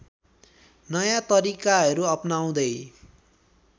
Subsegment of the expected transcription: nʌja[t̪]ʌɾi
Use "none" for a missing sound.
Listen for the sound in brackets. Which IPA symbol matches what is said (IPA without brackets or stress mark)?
t̪